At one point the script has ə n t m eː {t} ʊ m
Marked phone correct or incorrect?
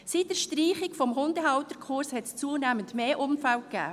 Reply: incorrect